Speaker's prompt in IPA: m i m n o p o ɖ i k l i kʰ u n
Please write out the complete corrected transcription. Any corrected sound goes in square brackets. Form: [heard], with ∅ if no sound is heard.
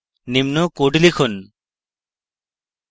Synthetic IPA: [n] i m n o [k] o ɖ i [∅] l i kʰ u n

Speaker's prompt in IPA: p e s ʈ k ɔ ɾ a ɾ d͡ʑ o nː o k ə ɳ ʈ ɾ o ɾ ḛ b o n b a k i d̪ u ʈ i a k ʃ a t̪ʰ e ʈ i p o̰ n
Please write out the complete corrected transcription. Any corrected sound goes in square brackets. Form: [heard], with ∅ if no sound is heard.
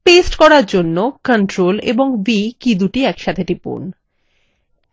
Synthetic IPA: p e s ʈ k ɔ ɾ a ɾ d͡ʑ o nː o k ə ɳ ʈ ɾ o [l] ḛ b o [ŋ] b [i] k i d̪ u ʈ i [ɛ] k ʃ a t̪ʰ e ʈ i p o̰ n

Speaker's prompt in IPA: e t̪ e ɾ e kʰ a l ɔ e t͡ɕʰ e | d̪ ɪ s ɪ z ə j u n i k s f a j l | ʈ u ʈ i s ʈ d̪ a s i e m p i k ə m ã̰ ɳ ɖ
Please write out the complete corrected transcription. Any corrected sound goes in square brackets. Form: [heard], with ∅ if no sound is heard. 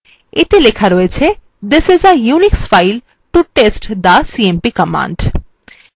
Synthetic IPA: e t̪ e [l] e kʰ a [ɾ] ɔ e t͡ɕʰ e | d̪ ɪ s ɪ z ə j u n i k s f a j l | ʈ u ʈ [e] s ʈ d̪ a s i e m p i k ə m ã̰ ɳ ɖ

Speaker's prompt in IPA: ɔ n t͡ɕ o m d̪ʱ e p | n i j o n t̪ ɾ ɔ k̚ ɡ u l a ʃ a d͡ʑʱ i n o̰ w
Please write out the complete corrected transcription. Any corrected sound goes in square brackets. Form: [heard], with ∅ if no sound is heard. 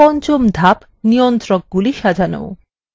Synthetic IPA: ɔ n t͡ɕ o m d̪ʱ [a] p | n i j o n t̪ ɾ ɔ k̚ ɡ u l [i] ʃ a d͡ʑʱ [a] n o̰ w

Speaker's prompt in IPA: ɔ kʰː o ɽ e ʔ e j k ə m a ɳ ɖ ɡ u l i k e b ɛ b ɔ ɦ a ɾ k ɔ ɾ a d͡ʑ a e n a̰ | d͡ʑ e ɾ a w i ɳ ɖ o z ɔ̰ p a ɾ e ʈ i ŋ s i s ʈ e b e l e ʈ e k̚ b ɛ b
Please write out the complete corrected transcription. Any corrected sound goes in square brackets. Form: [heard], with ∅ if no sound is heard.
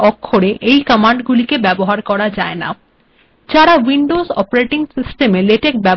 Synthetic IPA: ɔ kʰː o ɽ e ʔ e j k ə m a ɳ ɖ ɡ u l i k e b ɛ b [o] ɦ a ɾ k ɔ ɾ a d͡ʑ a e n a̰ | d͡ʑ [a] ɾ a w i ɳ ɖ o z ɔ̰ p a ɾ e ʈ i ŋ s i s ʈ e [m] e l e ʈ e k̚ b ɛ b

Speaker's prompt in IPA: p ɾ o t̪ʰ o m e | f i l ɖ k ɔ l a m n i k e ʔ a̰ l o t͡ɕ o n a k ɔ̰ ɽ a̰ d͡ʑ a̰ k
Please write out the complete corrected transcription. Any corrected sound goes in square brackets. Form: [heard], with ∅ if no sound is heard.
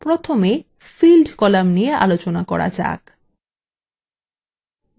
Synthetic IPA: p ɾ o t̪ʰ o m e | f i l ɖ k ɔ l a m n i [∅] e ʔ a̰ l o t͡ɕ o n a k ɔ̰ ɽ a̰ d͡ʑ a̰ k

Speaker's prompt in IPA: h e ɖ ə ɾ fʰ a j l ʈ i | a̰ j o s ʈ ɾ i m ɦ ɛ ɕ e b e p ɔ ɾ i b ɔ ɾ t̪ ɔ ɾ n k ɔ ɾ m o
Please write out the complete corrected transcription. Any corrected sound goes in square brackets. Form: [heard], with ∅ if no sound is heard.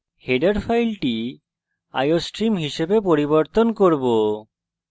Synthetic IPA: h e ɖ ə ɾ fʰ a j l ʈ i | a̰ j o s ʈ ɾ i m ɦ [i] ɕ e b e p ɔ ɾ i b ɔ ɾ t̪ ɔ [∅] n k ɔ ɾ [b] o

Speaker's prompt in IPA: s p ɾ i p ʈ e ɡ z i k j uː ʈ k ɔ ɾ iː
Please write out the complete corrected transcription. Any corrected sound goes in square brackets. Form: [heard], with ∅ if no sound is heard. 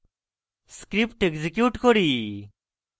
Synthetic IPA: s [k] ɾ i p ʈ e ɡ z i k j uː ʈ k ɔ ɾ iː

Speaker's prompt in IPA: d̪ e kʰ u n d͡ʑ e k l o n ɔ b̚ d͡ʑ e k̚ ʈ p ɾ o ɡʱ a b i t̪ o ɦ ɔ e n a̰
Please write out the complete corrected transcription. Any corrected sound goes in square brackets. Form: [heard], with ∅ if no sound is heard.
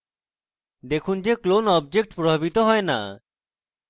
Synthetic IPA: d̪ e kʰ u n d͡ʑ e k l o n ɔ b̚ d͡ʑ e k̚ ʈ p ɾ o [bʱ] a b i t̪ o ɦ ɔ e n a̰

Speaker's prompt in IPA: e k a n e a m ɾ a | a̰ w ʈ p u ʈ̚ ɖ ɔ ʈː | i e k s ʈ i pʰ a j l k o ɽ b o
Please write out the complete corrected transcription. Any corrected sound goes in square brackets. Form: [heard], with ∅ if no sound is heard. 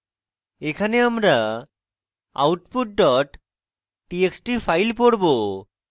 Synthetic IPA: e [kʰ] a n e a m ɾ a | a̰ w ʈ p u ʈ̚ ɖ ɔ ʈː | i e k s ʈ i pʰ a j l [p] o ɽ b o

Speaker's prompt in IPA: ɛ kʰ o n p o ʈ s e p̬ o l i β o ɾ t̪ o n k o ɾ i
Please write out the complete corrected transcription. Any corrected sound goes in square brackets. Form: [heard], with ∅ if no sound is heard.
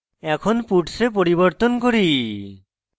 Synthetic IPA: ɛ kʰ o n p [u] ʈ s e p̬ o [ɾ] i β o ɾ t̪ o n k o ɾ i

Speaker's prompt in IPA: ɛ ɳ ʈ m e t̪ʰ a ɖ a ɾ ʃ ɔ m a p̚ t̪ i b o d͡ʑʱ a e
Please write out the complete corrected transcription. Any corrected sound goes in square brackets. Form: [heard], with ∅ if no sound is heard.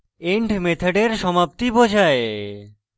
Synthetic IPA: [e] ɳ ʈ m e t̪ʰ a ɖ [e] ɾ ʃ ɔ m a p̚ t̪ i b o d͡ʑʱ a e

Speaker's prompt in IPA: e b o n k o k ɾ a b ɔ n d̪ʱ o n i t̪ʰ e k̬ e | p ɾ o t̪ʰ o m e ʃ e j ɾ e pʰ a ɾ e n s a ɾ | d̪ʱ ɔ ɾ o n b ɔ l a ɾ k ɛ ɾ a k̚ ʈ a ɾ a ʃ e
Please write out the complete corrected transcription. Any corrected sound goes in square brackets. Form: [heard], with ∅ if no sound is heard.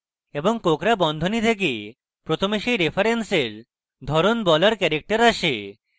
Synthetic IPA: e b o [ŋ] k o k ɾ a b ɔ n d̪ʱ o n i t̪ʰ e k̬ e | p ɾ o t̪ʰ o m e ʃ e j ɾ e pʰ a ɾ e n s [e] ɾ | d̪ʱ ɔ ɾ o n b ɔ l a ɾ k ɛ ɾ [e] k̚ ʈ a ɾ a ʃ e

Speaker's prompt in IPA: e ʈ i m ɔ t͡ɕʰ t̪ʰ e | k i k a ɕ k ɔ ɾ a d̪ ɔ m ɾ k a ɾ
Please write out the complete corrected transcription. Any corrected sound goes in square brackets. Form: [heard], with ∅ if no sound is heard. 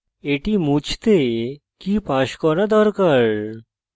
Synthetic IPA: e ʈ i m [u] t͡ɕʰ [t̪] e | k i [p] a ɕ k ɔ ɾ a d̪ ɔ [∅] ɾ k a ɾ

